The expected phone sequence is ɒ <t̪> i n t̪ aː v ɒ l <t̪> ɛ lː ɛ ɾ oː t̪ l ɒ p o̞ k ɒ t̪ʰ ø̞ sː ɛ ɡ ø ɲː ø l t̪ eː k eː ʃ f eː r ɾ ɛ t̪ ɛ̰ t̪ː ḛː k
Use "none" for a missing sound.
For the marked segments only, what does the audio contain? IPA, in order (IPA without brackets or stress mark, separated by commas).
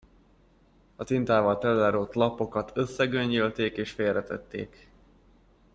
t̪, t̪